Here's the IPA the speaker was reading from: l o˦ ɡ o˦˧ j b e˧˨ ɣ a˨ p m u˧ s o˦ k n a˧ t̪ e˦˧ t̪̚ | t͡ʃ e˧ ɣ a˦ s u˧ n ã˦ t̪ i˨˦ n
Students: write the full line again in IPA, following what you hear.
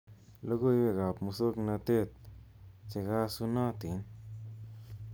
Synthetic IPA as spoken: l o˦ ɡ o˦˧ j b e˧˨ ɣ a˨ p m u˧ s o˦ k n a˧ t̪ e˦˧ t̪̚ | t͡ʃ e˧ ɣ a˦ s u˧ n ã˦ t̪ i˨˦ n